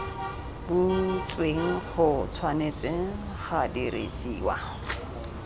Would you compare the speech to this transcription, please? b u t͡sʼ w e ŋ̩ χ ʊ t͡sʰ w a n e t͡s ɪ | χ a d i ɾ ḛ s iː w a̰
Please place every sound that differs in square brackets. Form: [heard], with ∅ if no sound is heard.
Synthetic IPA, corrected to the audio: b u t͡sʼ w e ŋ̩ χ ʊ t͡sʰ w a n e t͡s ɪ | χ a d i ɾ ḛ s iː w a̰